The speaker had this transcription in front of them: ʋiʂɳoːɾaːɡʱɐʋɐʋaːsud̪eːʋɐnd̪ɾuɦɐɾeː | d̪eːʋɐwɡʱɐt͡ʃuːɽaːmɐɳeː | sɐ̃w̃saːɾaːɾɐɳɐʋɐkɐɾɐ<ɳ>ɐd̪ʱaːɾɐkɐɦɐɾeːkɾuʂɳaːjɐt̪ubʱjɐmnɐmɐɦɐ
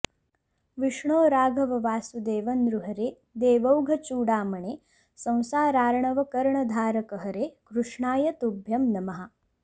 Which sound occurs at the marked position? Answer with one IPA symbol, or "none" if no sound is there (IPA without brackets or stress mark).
ɳ